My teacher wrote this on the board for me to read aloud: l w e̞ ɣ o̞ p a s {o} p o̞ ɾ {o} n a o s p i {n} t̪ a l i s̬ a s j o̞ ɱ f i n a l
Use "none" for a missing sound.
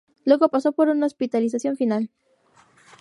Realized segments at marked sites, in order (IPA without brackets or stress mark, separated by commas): o, u, none